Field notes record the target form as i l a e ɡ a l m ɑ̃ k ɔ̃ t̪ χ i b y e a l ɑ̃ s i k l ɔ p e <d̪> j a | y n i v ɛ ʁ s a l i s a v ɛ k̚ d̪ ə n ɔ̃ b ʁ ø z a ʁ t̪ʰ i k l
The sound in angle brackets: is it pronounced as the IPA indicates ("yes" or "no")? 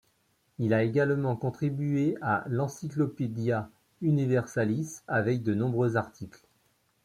yes